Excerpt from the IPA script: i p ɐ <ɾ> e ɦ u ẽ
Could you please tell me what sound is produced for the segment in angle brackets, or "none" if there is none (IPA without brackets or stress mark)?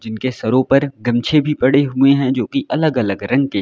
ɽ